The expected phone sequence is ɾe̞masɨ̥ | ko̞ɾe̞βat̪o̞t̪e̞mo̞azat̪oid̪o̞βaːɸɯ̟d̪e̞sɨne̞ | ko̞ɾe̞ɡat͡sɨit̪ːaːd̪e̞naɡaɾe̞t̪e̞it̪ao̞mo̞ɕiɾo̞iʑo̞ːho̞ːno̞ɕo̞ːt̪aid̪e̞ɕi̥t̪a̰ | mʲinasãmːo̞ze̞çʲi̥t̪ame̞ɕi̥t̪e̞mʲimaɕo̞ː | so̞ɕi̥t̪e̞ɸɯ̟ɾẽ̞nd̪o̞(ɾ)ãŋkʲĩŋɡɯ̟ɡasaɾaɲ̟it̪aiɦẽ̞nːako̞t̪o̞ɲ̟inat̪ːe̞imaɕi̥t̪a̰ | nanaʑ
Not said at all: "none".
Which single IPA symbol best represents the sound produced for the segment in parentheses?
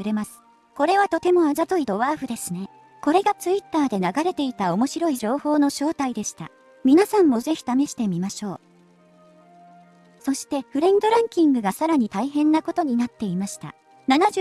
ɾ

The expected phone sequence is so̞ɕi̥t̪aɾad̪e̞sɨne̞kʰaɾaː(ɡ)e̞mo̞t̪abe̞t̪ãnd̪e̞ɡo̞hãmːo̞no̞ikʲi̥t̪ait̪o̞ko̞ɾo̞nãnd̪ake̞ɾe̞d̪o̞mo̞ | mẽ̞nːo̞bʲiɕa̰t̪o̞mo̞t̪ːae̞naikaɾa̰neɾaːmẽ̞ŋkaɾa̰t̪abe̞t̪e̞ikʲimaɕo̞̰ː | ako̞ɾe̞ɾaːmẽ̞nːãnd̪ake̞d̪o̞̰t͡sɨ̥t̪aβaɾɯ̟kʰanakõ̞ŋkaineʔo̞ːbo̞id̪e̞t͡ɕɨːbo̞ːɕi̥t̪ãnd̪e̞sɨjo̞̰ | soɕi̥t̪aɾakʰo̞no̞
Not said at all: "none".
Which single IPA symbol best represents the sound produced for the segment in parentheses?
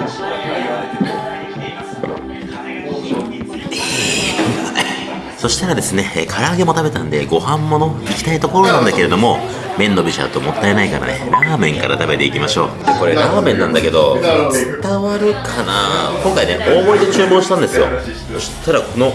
ɡ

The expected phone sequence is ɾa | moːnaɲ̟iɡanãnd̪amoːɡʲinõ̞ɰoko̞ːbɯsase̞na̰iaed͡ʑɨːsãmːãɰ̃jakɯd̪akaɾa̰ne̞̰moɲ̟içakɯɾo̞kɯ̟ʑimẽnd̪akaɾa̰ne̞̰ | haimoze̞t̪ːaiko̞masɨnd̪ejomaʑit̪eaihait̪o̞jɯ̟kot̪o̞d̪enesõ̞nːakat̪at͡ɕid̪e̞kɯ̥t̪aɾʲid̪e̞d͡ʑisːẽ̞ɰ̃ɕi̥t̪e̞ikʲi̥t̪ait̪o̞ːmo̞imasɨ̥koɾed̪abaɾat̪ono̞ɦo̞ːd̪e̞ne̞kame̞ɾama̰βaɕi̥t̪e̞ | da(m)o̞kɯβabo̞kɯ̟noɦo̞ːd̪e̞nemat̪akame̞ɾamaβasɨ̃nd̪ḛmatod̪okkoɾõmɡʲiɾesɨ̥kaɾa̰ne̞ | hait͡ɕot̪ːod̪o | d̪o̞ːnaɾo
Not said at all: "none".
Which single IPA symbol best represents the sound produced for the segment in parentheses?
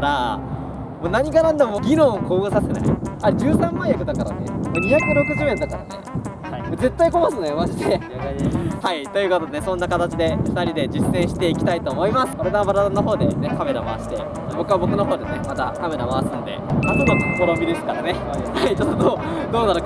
b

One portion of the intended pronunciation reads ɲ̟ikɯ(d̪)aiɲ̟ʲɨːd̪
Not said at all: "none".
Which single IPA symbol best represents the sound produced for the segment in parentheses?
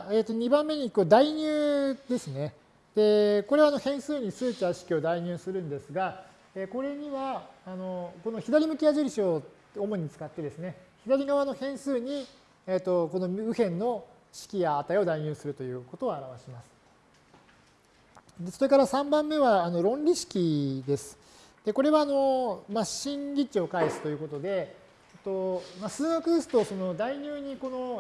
d̪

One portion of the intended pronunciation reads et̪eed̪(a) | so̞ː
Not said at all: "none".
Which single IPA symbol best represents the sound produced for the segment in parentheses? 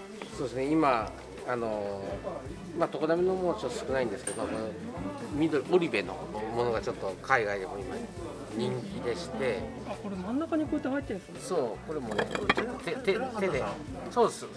e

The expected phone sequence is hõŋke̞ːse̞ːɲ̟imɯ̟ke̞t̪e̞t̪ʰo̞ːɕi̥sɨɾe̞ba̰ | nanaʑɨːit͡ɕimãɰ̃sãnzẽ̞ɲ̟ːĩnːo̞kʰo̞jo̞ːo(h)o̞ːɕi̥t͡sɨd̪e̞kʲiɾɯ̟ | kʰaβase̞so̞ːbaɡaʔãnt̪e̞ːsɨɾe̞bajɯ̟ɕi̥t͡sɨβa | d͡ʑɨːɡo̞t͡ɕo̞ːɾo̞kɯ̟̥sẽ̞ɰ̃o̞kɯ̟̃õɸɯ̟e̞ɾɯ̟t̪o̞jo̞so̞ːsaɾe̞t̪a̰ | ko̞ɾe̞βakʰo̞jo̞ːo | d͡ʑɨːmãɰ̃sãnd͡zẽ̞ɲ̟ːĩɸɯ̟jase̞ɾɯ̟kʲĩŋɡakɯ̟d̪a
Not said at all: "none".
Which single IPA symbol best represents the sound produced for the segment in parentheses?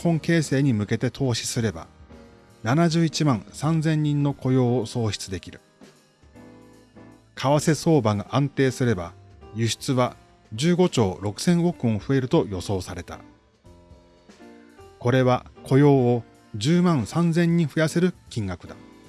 s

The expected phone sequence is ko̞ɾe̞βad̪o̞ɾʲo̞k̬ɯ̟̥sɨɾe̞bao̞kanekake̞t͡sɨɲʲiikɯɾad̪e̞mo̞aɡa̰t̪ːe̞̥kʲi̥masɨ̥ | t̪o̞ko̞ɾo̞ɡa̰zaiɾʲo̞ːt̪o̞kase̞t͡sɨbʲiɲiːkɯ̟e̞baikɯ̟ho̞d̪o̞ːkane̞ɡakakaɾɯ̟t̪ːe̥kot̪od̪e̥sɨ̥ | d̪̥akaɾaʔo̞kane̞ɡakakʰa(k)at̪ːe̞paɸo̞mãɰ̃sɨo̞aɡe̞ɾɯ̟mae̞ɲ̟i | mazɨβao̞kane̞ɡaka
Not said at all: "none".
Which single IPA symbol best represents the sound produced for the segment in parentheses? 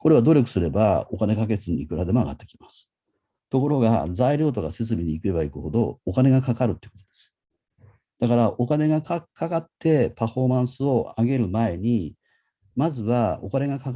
k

